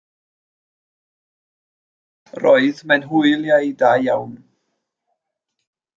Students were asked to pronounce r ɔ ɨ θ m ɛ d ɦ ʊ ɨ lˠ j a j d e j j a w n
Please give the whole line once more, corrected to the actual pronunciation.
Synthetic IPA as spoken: r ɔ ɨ ð m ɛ n ɦ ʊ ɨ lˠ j a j d a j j a w n